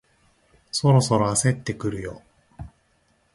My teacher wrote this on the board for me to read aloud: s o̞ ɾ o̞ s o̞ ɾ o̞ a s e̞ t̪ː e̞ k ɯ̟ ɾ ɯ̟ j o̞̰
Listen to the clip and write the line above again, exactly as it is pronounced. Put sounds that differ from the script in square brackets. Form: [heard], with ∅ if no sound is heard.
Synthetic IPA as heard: s o̞ ɾ o̞ s o̞ ɾ o̞ a s e̞ t̪ː e̞ k ɯ̟ ɾ ɯ̟ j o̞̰

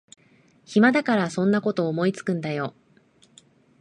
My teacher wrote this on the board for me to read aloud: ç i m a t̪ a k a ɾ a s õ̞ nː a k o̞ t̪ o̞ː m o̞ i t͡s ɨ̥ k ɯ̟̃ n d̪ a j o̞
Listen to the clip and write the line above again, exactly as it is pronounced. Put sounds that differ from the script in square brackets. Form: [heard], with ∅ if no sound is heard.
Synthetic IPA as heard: ç i m a [d̪] a k a ɾ a s õ̞ nː a k o̞ t̪ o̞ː m o̞ i t͡s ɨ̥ k ɯ̟̃ n d̪ a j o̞

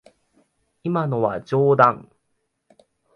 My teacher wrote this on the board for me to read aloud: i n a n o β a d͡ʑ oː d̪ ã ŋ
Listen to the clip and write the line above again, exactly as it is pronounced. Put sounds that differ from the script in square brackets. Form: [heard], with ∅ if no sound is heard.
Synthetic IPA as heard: i [m] a n o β a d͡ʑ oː d̪ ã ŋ

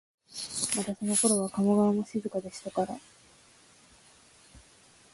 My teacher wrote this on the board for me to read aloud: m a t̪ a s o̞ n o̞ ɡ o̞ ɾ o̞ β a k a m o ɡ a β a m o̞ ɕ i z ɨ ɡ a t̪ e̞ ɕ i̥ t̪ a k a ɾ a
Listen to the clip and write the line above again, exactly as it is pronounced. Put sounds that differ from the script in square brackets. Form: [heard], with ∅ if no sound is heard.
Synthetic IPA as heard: m a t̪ a s o̞ n o̞ [k] o̞ ɾ o̞ β a k a m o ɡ a β a m o̞ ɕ i z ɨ [k] a [d̪] e̞ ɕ i̥ t̪ a k a ɾ a

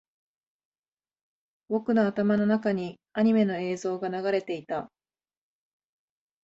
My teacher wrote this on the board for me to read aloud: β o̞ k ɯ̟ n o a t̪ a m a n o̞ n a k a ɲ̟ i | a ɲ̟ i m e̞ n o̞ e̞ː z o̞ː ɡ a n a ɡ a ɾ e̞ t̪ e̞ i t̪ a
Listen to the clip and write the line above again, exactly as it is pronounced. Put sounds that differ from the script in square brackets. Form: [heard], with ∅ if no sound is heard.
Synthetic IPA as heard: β o̞ k ɯ̟ n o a t̪ a m a n o̞ n a k a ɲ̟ i | a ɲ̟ i m e̞ n o̞ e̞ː z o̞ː ɡ a n a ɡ a ɾ e̞ t̪ e̞ i t̪ a

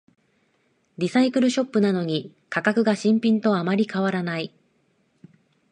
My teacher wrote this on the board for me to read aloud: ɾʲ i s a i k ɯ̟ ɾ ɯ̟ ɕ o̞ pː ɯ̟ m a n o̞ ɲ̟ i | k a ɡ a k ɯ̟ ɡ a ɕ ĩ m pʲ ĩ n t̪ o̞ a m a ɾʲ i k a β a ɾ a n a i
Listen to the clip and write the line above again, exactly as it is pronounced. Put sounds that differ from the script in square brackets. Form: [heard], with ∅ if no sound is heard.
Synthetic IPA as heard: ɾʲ i s a i k ɯ̟ ɾ ɯ̟ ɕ o̞ pː ɯ̟ [n] a n o̞ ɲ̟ i | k a [k] a k ɯ̟ ɡ a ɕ ĩ m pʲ ĩ n t̪ o̞ a m a ɾʲ i k a β a ɾ a n a i

